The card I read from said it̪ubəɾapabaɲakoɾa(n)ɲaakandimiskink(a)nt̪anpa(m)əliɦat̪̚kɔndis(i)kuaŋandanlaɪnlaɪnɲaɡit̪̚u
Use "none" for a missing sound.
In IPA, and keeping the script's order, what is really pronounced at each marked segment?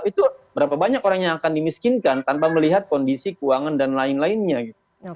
ŋ, a, m, i

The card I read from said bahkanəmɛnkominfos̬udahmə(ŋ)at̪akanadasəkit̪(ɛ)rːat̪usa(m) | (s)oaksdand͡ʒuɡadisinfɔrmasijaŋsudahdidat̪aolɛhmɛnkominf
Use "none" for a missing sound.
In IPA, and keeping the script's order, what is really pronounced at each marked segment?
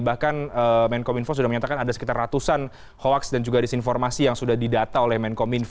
ɲ, a, n, h

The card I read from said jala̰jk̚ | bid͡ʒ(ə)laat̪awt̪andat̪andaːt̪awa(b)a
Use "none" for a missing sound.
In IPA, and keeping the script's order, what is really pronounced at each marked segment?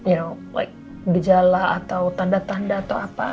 a, p

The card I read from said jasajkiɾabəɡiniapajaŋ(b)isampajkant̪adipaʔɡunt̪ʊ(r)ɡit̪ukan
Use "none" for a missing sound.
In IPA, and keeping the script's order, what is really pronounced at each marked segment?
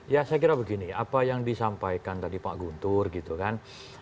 d, r

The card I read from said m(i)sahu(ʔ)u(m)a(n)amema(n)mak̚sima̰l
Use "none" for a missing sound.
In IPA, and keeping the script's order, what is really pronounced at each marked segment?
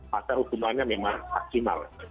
a, k, m, ɲ, ŋ

